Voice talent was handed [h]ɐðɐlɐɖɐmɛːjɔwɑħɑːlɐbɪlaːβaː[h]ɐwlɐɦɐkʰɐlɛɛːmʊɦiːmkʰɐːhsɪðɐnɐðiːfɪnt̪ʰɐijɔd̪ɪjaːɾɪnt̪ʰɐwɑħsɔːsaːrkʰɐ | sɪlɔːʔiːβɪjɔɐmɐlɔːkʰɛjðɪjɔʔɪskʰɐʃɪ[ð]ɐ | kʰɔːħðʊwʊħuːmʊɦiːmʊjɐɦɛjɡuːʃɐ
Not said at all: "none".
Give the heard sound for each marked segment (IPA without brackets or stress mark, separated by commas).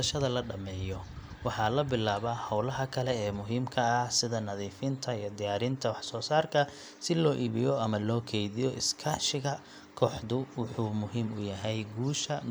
ʃ, h, ɣ